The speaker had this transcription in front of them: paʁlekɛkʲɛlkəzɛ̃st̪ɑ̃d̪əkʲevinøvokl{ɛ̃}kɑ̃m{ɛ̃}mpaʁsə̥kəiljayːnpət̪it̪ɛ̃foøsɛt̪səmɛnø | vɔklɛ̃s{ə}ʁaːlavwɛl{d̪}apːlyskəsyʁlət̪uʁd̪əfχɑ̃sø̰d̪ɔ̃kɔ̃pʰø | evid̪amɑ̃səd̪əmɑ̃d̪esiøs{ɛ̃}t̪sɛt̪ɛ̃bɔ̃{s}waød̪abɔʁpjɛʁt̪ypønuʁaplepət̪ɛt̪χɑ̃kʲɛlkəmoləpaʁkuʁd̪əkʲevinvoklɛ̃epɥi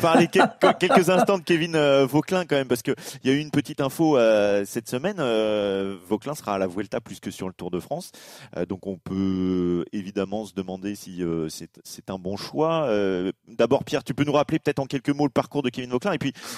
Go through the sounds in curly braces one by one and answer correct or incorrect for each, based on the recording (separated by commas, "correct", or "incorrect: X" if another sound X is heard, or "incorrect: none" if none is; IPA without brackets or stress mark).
correct, incorrect: ɛ, correct, incorrect: t̪, incorrect: ɛ, incorrect: ʃ